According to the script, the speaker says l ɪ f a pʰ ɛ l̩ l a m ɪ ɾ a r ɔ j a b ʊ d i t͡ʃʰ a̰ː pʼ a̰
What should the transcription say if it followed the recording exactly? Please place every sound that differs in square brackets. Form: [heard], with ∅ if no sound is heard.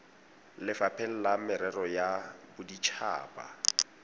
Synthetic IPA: l ɪ f a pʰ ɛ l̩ l a m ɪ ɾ [ɛ] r ɔ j a b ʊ d i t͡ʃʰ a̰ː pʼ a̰